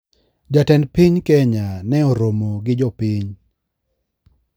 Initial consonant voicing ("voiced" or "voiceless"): voiced